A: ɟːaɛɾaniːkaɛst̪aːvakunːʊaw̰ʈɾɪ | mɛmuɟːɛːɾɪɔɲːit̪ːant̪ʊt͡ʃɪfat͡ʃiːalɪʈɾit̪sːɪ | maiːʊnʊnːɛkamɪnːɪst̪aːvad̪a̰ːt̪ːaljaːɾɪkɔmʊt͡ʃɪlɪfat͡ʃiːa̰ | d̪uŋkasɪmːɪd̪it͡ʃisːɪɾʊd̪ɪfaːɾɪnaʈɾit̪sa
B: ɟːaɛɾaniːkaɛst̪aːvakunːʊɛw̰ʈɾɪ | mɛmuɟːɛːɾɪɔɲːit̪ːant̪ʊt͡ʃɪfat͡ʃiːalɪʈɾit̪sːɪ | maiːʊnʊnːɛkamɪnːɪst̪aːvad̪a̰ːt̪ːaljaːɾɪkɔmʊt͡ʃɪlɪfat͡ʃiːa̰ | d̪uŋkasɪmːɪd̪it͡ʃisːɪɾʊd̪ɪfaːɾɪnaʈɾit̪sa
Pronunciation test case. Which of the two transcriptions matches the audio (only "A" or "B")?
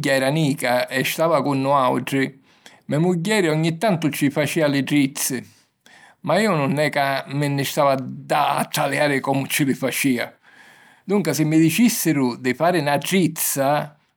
A